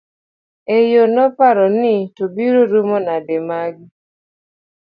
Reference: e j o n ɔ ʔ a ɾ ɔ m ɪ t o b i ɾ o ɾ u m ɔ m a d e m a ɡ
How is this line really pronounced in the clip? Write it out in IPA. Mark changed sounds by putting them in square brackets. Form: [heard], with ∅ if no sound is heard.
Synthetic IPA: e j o n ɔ [p] a ɾ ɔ [n] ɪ t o b i ɾ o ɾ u m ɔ [n] a d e m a ɡ